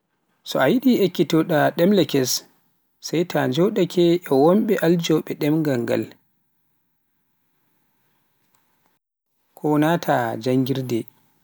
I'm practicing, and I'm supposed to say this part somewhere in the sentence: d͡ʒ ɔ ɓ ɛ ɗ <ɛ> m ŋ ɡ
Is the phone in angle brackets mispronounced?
no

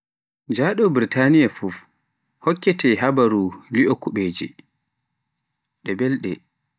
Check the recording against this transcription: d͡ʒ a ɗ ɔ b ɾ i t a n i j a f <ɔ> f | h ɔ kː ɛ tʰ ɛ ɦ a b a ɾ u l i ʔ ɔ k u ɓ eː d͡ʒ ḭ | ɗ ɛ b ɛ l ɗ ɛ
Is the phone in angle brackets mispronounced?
yes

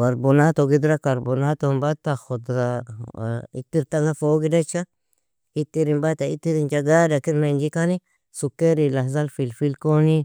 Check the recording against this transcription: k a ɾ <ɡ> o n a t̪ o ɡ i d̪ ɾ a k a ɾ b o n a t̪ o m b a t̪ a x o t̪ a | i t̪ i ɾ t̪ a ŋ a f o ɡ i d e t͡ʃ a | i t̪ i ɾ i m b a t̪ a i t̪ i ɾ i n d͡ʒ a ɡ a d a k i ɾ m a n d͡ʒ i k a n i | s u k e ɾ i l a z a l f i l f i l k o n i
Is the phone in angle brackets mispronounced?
yes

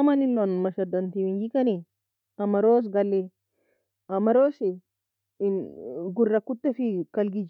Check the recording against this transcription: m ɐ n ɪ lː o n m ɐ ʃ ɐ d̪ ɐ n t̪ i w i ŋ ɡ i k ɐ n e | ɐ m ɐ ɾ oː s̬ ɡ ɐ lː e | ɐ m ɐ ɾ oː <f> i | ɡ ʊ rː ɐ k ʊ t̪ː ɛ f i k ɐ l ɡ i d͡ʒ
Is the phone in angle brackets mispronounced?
yes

